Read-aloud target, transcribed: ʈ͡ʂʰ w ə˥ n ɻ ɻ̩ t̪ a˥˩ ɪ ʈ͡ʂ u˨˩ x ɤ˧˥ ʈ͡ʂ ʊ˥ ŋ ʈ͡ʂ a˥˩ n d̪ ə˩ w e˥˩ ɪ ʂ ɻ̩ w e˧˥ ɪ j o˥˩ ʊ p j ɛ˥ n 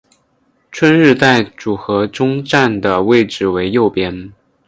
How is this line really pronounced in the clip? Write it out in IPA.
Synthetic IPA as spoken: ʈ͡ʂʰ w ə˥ n ɻ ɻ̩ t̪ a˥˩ ɪ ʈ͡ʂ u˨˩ x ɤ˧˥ ʈ͡ʂ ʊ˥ ŋ ʈ͡ʂ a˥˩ n d̪ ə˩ w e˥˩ ɪ ʈ͡ʂ ɻ̩ w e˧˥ ɪ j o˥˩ ʊ p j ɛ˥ n